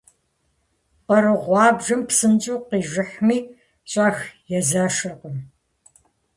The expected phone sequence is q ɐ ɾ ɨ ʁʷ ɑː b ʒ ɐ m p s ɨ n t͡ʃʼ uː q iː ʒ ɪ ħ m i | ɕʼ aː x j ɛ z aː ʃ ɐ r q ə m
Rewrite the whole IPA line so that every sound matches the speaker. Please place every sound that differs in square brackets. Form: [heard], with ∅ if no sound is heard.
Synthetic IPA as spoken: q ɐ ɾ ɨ ʁʷ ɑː b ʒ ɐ m p s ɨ n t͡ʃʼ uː q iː ʒ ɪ ħ m [iː] | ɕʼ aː x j ɛ z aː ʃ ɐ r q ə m